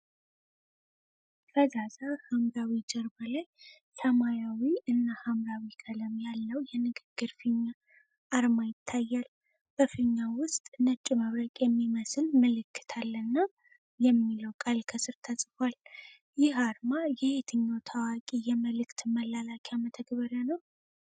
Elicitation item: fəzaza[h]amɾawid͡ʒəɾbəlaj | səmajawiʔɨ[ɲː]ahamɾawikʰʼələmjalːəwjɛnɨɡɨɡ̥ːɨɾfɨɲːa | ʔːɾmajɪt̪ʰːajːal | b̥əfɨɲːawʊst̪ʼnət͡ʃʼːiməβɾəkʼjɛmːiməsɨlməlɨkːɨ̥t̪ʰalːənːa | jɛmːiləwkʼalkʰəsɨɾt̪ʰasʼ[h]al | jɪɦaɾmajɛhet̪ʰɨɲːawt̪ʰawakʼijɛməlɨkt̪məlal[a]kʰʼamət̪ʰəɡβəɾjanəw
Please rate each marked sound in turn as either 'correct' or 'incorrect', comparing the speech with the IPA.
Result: correct, incorrect: nː, incorrect: f, correct

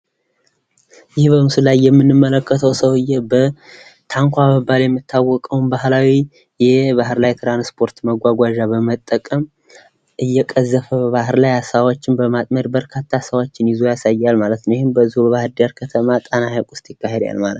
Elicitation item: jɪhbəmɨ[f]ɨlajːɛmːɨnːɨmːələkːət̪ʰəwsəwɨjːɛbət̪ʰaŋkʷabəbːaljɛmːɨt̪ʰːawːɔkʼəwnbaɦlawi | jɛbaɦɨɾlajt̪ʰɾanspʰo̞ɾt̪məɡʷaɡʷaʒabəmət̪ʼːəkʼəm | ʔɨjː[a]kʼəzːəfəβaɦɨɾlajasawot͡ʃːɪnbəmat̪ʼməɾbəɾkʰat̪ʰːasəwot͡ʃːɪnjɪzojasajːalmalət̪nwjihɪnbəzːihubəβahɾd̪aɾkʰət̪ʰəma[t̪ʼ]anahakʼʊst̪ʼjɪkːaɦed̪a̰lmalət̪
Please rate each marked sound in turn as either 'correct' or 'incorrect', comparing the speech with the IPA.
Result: incorrect: s, incorrect: ɛ, correct

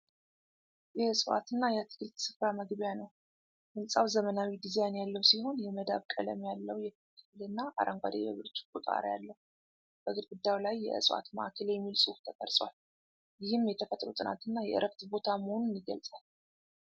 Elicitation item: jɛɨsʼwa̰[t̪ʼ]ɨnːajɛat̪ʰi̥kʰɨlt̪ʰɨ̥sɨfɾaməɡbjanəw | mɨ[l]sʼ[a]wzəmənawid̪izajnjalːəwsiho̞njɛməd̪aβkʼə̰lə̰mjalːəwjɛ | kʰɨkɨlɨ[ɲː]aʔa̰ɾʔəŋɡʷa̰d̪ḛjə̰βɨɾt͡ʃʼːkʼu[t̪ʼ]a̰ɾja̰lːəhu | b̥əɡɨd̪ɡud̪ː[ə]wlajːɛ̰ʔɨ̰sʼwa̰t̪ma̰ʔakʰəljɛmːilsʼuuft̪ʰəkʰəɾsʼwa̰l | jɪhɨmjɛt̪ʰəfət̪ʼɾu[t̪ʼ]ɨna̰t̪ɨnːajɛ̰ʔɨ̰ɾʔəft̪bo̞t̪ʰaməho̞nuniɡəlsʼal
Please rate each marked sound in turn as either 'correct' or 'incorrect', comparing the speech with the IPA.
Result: incorrect: t̪, correct, correct, incorrect: nː, correct, incorrect: a, correct

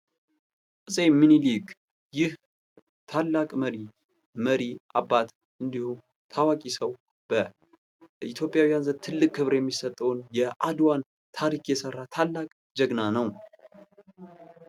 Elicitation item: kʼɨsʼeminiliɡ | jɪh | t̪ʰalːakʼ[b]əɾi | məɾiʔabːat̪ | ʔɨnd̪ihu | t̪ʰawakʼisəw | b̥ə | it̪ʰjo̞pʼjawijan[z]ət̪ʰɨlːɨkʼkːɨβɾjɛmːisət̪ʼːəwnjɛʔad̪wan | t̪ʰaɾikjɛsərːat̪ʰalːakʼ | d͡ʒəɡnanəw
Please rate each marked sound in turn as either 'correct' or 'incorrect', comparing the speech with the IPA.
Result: incorrect: m, correct

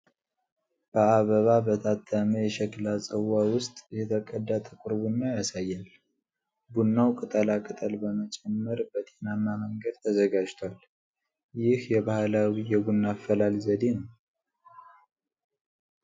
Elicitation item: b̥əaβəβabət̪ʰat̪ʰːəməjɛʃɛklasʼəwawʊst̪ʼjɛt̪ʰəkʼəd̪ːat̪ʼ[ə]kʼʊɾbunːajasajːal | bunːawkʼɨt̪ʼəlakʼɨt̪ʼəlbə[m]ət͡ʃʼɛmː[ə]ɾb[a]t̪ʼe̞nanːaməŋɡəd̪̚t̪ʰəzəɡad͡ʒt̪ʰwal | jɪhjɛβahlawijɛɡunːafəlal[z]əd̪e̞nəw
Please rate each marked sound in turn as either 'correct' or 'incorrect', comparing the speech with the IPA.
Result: correct, correct, correct, incorrect: ə, correct

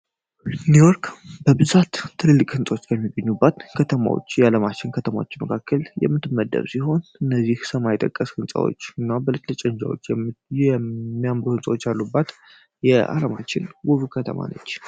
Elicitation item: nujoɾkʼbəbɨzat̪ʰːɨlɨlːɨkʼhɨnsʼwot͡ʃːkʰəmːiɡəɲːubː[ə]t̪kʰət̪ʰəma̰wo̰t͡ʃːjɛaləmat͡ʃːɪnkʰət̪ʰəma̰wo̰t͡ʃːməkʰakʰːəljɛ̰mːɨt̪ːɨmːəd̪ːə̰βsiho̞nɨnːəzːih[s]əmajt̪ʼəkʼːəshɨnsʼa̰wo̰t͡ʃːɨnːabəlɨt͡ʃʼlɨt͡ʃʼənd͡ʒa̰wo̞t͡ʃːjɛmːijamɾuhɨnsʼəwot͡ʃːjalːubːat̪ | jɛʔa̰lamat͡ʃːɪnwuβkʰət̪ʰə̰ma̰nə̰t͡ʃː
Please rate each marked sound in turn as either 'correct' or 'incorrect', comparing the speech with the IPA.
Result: incorrect: a, correct

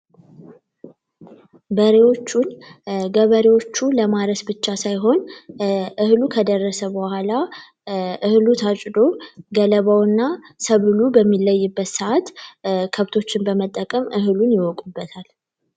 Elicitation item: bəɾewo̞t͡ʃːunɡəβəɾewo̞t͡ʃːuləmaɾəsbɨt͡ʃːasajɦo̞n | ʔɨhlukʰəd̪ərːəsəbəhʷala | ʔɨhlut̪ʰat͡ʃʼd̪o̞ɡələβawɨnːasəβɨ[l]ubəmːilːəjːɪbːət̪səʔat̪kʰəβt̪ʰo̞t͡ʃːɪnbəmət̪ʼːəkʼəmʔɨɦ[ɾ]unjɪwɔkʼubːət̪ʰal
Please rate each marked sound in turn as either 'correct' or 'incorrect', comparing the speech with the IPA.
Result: correct, incorrect: l

